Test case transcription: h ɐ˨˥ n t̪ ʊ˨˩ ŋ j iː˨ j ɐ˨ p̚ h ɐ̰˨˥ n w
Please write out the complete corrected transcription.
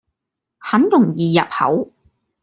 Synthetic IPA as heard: h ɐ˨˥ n t̪ ʊ˨˩ ŋ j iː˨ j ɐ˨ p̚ h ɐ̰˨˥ w